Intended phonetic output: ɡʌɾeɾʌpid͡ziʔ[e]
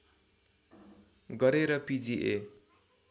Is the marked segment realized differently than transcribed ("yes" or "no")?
no